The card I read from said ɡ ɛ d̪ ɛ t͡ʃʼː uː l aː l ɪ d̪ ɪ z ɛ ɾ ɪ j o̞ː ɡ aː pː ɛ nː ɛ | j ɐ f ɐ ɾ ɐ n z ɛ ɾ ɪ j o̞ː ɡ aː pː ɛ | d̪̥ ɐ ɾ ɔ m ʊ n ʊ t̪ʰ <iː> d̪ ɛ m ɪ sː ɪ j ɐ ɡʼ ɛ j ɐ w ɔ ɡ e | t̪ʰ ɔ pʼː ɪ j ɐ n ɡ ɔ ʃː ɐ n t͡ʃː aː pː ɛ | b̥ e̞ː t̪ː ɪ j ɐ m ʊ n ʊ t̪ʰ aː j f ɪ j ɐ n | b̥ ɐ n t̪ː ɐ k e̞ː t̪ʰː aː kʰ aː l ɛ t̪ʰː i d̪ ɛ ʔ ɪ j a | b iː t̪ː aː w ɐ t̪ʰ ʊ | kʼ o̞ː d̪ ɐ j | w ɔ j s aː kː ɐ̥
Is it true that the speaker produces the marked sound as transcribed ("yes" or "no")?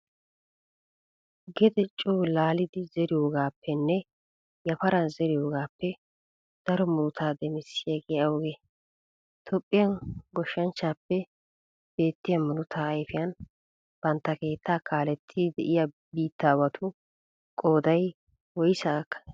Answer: no